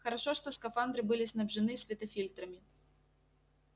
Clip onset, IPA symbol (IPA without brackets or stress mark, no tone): x